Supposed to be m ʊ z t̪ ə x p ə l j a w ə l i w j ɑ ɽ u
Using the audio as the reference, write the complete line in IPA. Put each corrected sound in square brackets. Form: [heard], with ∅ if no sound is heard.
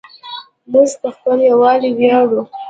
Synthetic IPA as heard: m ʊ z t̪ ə x p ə l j a w [ɑ] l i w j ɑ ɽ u

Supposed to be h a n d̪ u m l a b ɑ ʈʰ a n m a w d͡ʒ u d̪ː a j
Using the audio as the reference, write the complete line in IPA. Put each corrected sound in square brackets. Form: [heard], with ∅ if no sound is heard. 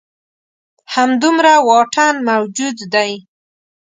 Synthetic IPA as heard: h a [m] d̪ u m [ɾ] a [w] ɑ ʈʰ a n m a w d͡ʒ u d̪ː a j

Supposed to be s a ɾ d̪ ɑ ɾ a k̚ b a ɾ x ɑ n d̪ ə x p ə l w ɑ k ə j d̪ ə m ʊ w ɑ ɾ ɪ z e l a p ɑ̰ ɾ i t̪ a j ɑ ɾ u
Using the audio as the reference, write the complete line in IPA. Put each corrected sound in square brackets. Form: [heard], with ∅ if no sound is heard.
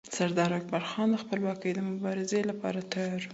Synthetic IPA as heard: s a ɾ d̪ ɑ ɾ a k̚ b a ɾ x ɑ n d̪ ə x p ə l w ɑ k ə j d̪ ə m ʊ [b] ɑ ɾ ɪ z e l a p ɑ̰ ɾ [a] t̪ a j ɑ ɾ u

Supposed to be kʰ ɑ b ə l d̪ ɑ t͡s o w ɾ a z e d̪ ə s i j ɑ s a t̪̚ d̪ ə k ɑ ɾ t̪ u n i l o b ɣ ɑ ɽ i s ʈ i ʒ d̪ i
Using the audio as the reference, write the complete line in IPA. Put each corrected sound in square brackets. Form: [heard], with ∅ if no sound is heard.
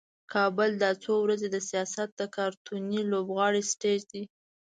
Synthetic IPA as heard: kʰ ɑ b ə l d̪ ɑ t͡s o w ɾ a z e d̪ ə s i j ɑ s a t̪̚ d̪ ə k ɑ ɾ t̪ u n i l o b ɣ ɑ ɽ i s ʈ [e] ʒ d̪ i

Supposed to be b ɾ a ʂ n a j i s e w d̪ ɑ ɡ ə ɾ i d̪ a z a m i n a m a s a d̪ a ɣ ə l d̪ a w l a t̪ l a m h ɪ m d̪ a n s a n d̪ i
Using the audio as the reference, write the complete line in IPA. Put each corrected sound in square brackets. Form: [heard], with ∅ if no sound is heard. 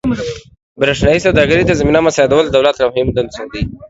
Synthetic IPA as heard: b ɾ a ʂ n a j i s [a] w d̪ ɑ ɡ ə ɾ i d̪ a z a m i n a m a s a d̪ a [w] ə l d̪ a w l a t̪ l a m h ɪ m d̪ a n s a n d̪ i

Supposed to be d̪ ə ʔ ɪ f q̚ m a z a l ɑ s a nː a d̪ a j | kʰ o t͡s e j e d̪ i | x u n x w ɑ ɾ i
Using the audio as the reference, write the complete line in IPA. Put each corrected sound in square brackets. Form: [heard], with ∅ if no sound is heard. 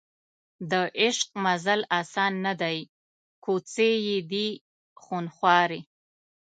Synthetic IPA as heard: d̪ ə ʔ ɪ [ʃ] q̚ m a z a l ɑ s [ɑ] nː a d̪ a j | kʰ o t͡s e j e d̪ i | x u n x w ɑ ɾ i

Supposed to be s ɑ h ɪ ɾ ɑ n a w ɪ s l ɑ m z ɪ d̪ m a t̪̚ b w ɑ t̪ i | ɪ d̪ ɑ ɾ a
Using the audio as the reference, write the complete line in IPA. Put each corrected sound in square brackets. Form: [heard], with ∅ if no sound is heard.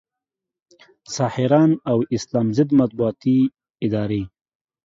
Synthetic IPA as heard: s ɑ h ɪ ɾ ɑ n a w ɪ s l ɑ m z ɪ d̪ m a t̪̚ b [u] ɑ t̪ i | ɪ d̪ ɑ ɾ [e]

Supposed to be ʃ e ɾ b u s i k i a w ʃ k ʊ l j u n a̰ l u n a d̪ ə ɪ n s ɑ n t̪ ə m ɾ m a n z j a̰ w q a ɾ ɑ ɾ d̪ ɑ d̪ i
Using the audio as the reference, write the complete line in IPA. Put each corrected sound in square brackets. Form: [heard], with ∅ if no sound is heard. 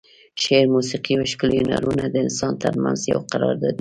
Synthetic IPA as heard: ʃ e ɾ [m] u s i [q] i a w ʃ k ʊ l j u n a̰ [ɾ] u n a d̪ ə ɪ n s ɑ n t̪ ə [∅] ɾ m a n z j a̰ w q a ɾ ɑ ɾ d̪ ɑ d̪ i

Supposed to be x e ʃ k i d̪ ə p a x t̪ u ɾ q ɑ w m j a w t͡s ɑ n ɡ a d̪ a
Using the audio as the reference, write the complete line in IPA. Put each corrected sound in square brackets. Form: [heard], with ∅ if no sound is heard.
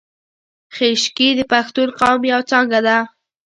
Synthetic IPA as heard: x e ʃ k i d̪ ə p a x t̪ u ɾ q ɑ w m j a w t͡s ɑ [ŋ] ɡ a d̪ a

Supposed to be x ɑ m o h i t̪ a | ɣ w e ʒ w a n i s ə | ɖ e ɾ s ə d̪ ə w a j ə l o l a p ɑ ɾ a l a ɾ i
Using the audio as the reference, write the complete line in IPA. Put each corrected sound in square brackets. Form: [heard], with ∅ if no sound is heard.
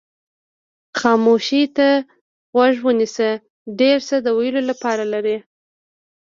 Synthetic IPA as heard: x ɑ m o [ʃ] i t̪ a | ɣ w [a] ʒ w [ə] n i s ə | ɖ e ɾ s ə d̪ ə w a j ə l o l a p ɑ ɾ a l a ɾ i

